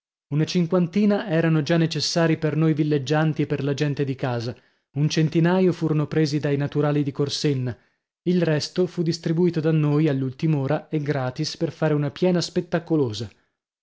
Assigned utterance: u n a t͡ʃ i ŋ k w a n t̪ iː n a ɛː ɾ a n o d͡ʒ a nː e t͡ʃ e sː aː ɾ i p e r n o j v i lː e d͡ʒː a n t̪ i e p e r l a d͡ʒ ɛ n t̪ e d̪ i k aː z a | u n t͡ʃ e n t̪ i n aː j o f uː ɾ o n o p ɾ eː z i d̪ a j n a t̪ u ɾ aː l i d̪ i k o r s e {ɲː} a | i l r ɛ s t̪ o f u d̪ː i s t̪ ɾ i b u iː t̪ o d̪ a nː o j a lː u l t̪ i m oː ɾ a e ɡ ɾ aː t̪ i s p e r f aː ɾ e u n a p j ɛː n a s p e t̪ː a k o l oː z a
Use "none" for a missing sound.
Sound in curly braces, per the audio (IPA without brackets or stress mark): nː